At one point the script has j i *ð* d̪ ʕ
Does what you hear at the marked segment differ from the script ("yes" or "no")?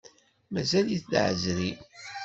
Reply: yes